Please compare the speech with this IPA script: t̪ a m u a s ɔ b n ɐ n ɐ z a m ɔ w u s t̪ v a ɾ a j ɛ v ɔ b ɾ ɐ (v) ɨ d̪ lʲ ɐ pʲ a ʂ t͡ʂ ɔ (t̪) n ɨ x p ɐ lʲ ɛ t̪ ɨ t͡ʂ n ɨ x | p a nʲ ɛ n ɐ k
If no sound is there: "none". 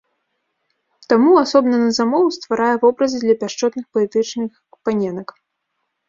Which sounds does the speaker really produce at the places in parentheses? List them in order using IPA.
z, t̪

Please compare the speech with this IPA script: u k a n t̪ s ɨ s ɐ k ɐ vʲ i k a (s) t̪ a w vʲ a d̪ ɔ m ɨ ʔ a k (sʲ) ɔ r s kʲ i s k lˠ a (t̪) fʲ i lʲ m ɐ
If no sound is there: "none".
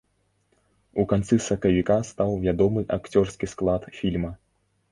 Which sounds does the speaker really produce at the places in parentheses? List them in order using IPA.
s, t͡sʲ, t̪

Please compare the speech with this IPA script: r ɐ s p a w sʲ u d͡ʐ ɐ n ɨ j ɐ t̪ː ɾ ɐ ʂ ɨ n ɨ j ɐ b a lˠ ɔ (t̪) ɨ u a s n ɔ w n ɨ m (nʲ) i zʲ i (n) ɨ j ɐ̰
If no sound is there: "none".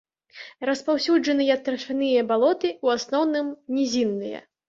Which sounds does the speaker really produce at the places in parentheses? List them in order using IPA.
t̪, nʲ, nː

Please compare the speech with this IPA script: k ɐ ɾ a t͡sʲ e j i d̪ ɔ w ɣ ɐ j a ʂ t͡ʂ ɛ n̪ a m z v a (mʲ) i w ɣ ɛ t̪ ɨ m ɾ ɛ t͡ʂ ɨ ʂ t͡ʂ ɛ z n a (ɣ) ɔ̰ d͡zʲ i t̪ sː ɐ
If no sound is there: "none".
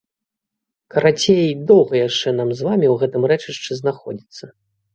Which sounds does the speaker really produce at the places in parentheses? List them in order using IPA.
mʲ, x

